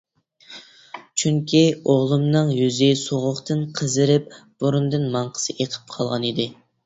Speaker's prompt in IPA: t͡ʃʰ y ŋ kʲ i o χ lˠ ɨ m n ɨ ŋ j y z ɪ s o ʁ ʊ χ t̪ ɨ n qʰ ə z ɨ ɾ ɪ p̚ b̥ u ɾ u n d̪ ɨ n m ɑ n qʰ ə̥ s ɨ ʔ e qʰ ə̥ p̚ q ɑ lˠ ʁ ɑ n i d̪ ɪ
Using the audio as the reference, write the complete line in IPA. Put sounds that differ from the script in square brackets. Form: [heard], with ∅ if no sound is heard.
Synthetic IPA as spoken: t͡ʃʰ y ŋ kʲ i o [ʁ] lˠ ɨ m n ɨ ŋ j y z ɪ s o ʁ ʊ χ t̪ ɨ n qʰ ə z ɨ ɾ ɪ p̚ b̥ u ɾ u n d̪ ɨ n m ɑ [ɴ] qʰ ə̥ s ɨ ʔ e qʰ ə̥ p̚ [qʰ] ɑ lˠ ʁ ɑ n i d̪ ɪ